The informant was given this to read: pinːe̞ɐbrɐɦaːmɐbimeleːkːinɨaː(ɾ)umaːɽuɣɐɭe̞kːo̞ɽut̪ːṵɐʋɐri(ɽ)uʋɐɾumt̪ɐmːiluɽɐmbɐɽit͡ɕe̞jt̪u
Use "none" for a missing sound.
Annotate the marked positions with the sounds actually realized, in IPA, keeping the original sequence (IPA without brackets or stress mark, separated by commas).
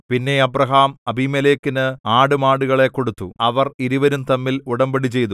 ɽ, ɾ